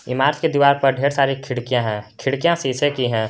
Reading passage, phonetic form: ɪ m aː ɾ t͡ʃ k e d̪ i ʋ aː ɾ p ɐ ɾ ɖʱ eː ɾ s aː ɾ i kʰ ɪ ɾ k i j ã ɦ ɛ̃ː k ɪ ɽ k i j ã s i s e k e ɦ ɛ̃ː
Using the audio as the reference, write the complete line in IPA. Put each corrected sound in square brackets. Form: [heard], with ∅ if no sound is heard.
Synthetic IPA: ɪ m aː ɾ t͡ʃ k e d̪ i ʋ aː ɾ p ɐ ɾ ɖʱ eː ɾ s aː ɾ i kʰ ɪ [ɽ] k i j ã ɦ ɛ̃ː [kʰ] ɪ ɽ k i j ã s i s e k [i] ɦ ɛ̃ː